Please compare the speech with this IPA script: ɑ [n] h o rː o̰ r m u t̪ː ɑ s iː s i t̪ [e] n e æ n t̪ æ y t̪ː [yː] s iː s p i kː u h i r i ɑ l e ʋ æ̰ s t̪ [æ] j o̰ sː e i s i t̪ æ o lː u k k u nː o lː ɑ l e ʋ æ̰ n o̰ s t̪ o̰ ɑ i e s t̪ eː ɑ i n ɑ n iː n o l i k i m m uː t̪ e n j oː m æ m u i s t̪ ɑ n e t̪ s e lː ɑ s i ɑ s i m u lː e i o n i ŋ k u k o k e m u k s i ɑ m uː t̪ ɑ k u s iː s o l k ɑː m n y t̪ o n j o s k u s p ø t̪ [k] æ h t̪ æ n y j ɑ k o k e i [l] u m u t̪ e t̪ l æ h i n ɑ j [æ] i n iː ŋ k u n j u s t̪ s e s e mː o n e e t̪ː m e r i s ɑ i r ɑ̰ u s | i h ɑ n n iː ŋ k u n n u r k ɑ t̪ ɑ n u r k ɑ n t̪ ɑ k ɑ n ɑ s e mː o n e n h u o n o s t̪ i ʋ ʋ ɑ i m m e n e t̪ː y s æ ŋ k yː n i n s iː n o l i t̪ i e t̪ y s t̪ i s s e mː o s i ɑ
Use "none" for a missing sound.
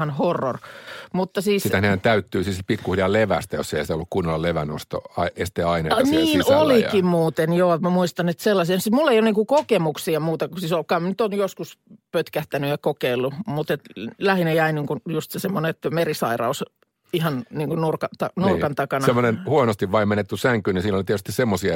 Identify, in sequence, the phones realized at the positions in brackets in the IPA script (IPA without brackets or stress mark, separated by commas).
n, æ, yː, æ, k, lː, æ